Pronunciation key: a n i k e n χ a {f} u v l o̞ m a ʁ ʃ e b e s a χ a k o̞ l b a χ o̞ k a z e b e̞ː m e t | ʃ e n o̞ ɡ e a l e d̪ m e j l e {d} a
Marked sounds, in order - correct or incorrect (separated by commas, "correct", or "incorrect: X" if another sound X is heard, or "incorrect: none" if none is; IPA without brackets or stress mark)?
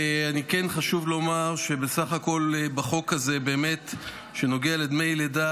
incorrect: ʃ, correct